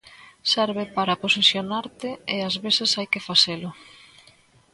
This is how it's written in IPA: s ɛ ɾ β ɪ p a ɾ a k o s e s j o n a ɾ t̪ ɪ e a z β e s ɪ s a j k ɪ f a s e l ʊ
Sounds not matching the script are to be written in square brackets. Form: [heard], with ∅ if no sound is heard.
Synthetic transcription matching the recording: s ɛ ɾ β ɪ p a ɾ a [p] o s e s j o n a ɾ t̪ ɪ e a z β e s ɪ s a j k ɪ f a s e l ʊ